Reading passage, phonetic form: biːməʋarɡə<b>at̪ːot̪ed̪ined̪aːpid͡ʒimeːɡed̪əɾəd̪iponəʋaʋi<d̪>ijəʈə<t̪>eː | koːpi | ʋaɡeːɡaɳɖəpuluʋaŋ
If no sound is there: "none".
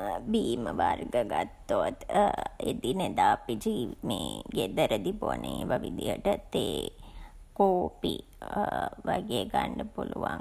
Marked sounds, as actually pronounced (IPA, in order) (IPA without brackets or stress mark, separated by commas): ɡ, d̪, t̪